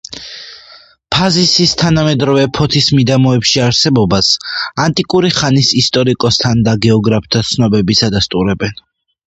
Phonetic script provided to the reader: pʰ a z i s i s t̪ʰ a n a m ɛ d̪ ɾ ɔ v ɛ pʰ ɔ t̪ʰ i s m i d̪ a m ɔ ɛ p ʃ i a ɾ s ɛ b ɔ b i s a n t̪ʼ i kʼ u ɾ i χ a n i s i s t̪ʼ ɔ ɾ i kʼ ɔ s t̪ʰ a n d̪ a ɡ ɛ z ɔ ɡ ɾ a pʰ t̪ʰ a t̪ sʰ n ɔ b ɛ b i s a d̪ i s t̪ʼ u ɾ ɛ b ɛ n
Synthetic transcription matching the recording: pʰ a z i s i s t̪ʰ a n a m ɛ d̪ ɾ ɔ v ɛ pʰ ɔ t̪ʰ i s m i d̪ a m ɔ ɛ p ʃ i a ɾ s ɛ b ɔ b a s a n t̪ʼ i kʼ u ɾ i χ a n i s i s t̪ʼ ɔ ɾ i kʼ ɔ s t̪ʰ a n d̪ a ɡ ɛ ɔ ɡ ɾ a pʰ t̪ʰ a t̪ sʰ n ɔ b ɛ b i s a d̪ a s t̪ʼ u ɾ ɛ b ɛ n